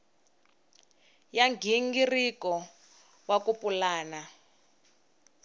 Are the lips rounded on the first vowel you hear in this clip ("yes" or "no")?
no